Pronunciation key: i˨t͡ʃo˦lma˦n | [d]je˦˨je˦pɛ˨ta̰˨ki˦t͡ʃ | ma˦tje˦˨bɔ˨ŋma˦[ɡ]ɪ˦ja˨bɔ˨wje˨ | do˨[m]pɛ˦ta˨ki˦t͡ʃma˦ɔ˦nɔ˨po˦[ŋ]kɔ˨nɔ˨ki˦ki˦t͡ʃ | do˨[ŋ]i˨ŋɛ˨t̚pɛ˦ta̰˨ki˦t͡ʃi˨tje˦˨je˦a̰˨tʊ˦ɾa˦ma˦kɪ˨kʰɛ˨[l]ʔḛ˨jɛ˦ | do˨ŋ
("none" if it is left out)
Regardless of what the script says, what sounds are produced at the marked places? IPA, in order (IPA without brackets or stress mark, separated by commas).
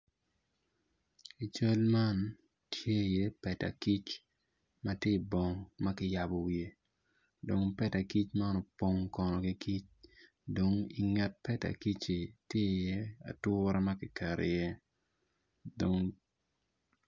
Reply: t, k, ŋ, ŋ, ŋ, ɾ